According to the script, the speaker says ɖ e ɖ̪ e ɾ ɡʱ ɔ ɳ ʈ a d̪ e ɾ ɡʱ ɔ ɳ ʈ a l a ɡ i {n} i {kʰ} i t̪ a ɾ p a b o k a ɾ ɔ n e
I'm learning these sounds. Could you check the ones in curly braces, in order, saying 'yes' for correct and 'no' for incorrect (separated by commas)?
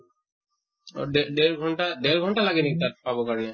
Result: yes, no